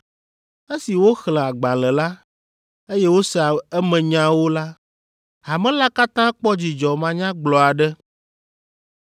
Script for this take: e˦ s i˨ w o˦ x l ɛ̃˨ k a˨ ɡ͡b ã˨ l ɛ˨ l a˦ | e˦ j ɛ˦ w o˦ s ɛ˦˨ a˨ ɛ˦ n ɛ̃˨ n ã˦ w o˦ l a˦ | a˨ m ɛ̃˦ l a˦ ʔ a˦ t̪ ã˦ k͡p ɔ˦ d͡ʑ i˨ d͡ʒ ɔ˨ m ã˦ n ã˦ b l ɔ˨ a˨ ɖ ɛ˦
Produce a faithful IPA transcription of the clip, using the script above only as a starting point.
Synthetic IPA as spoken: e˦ s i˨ w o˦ x l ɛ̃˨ a˨ ɡ͡b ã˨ l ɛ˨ l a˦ | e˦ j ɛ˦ w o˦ s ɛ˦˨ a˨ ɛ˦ m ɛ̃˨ ɲ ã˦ w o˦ l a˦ | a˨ m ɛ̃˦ l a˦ k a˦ t̪ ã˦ k͡p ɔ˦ d͡ʑ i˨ d͡ʒ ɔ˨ m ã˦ ɲ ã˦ ɡ͡b l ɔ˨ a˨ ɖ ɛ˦